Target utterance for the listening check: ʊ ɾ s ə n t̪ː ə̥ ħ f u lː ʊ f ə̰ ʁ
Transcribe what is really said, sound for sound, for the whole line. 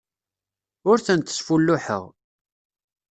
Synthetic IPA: ʊ ɾ θ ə n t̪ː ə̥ s f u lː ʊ ħ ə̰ ʁ